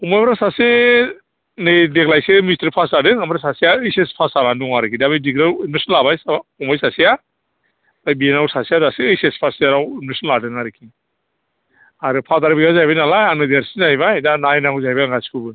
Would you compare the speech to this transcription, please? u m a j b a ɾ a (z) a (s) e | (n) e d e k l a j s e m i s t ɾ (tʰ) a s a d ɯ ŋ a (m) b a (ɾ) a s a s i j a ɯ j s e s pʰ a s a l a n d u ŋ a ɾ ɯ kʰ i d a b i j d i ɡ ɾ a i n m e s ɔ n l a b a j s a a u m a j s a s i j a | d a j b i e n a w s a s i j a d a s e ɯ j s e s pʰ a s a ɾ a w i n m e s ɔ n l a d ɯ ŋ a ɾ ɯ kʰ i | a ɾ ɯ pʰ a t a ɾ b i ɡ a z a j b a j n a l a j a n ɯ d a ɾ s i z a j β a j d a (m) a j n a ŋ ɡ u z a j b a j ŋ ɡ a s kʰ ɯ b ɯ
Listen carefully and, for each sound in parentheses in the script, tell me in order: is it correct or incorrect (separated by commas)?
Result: incorrect, correct, correct, incorrect, correct, correct, incorrect